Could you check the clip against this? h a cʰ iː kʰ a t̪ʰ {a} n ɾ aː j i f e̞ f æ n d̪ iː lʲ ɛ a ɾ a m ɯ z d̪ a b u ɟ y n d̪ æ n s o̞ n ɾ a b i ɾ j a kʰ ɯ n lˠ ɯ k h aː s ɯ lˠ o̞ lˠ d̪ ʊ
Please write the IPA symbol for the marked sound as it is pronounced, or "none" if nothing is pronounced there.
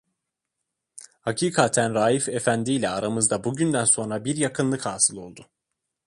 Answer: æ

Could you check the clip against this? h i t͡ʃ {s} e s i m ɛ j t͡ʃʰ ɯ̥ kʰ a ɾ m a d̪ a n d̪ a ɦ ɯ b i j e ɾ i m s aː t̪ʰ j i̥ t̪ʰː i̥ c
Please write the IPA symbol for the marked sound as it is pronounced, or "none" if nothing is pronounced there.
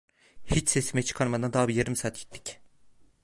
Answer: s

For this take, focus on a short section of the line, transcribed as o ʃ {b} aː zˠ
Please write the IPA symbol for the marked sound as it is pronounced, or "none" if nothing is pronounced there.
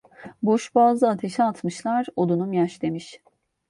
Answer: b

